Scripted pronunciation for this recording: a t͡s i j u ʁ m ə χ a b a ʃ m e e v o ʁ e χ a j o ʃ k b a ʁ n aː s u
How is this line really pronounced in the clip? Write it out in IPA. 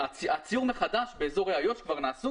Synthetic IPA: a t͡s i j u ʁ m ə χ a d a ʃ b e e z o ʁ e a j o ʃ k v a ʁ n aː s u